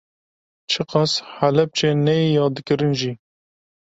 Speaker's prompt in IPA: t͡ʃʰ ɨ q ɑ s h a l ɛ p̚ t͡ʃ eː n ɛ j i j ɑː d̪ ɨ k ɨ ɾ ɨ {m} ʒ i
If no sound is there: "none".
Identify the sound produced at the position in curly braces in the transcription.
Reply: n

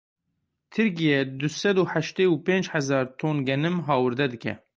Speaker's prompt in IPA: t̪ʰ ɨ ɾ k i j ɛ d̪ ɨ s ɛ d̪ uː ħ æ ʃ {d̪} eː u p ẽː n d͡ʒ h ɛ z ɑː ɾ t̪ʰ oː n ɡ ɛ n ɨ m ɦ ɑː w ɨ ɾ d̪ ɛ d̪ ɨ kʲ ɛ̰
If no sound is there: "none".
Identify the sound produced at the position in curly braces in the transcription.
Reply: t̪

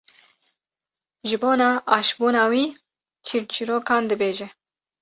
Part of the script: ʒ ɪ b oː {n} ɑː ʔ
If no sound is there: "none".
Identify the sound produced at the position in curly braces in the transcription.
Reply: n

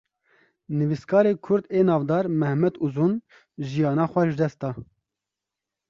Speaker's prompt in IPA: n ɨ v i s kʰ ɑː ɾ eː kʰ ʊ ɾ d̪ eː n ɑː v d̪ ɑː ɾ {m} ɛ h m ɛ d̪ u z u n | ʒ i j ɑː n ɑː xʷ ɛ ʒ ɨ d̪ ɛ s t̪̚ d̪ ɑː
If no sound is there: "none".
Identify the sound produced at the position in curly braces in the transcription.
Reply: m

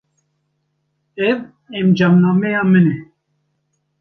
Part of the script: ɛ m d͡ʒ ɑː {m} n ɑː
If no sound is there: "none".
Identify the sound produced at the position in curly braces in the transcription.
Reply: m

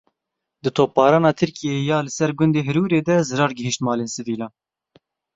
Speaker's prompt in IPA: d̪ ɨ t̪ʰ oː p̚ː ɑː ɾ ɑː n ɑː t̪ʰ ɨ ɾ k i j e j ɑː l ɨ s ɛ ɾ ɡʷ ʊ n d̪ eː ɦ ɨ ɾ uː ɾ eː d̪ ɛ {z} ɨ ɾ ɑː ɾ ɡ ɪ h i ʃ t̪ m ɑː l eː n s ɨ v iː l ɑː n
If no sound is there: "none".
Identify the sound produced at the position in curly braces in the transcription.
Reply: z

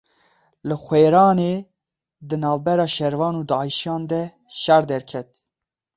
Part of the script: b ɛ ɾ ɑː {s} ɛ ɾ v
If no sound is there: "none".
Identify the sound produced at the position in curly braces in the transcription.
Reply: ʃ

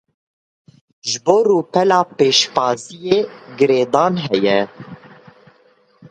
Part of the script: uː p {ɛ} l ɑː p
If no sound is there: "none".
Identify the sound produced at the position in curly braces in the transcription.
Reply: ɛ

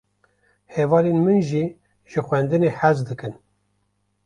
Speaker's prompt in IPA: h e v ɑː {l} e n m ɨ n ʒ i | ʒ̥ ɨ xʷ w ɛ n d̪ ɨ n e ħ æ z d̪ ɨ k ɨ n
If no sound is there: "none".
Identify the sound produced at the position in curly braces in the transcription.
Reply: l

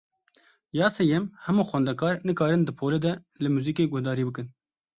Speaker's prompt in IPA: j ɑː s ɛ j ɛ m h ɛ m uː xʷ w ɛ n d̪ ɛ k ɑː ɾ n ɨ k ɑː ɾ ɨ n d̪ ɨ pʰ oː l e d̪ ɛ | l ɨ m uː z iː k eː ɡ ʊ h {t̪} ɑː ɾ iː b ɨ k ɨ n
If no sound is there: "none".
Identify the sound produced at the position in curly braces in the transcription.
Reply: d̪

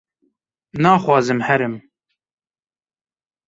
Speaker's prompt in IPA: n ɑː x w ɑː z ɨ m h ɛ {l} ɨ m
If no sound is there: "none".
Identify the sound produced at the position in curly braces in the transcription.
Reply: ɾ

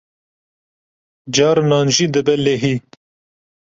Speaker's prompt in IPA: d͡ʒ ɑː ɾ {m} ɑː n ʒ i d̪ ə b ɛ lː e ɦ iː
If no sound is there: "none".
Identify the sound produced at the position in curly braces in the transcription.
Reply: n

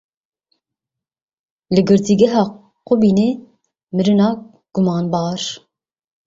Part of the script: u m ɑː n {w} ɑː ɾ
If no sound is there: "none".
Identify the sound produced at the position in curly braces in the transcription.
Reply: b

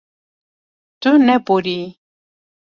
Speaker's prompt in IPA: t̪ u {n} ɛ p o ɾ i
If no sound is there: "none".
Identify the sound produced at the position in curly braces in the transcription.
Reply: n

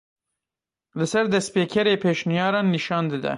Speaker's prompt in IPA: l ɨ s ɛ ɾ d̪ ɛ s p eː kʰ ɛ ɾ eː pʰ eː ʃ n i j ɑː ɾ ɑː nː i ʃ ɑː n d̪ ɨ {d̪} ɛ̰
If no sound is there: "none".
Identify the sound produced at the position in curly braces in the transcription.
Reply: d̪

